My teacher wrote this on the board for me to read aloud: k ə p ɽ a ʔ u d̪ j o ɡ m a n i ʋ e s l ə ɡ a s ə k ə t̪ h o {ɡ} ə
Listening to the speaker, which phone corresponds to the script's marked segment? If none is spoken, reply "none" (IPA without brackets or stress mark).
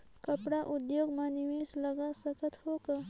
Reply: k